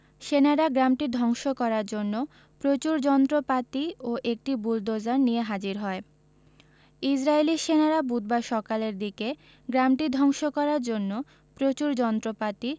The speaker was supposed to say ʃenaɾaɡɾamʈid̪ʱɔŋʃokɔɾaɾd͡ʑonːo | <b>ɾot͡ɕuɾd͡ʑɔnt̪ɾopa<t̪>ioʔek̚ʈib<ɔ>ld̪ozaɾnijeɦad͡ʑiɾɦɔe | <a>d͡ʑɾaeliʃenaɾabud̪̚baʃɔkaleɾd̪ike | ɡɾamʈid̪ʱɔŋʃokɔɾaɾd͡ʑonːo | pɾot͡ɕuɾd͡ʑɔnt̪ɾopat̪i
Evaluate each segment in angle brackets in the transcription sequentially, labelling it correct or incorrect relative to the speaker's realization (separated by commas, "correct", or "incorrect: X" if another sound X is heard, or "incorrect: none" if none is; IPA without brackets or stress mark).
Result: incorrect: p, correct, incorrect: u, incorrect: i